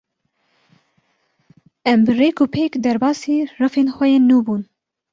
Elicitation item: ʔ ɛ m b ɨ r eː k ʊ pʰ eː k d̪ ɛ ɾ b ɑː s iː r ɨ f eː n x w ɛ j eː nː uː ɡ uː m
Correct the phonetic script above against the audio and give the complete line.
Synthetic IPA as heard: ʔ ɛ m b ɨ r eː k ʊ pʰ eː k d̪ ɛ ɾ b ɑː s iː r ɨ f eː n x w ɛ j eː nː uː b uː n